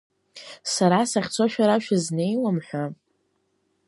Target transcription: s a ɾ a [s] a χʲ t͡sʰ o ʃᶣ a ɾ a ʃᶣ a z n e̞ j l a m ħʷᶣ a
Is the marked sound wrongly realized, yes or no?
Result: no